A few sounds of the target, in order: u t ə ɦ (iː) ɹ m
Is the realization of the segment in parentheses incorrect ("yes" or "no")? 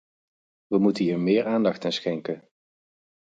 no